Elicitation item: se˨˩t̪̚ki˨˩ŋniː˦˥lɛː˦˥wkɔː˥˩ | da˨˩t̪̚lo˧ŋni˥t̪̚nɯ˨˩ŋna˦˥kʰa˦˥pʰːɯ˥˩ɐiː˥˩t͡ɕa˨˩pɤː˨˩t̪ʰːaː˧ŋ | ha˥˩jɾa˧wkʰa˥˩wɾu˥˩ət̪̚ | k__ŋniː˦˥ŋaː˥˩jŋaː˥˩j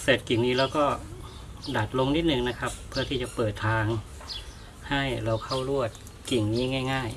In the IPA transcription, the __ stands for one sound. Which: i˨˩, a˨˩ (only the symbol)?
i˨˩